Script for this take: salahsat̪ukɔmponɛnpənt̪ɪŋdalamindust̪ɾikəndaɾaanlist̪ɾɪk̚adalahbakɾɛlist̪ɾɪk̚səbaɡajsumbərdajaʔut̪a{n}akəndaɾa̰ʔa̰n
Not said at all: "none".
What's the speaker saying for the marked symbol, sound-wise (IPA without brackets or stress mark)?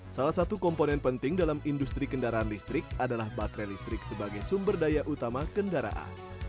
m